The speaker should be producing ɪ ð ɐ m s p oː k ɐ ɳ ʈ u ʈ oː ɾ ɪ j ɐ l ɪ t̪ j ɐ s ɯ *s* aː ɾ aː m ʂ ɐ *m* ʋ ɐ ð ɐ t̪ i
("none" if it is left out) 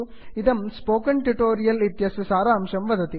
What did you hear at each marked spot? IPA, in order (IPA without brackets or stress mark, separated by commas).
s, m